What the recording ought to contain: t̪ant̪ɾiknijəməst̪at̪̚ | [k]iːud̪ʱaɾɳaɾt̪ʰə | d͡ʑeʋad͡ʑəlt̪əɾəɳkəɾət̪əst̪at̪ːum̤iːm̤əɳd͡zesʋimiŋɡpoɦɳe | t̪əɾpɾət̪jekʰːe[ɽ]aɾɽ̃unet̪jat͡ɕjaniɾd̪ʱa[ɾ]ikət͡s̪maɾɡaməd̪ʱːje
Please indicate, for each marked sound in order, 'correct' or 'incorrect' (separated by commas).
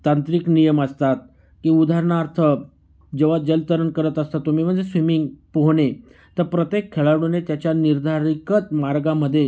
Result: correct, incorrect, correct